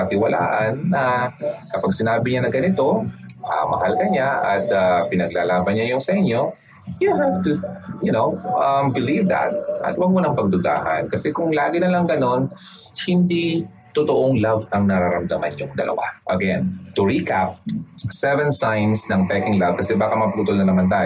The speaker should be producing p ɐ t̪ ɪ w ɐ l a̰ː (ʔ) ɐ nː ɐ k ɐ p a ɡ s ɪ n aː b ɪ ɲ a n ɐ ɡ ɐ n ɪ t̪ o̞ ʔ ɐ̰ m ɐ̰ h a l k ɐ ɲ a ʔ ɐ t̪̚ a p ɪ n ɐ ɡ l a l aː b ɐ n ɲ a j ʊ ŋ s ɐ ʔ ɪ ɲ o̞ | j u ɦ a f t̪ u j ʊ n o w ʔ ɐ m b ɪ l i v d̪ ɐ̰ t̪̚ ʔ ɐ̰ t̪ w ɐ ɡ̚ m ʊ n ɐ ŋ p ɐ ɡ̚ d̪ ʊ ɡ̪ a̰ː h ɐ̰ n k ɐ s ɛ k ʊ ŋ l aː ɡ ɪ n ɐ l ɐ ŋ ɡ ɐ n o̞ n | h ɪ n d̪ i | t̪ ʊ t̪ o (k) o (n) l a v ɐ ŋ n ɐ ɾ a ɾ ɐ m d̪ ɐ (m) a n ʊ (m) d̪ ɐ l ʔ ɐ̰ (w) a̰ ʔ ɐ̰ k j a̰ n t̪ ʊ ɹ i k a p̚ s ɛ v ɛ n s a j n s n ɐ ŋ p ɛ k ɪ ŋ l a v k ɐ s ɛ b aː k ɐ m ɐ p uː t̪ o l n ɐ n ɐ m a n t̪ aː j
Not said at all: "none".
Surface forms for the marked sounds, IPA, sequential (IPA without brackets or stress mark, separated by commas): ʔ, ʔ, ŋ, m, ŋ, w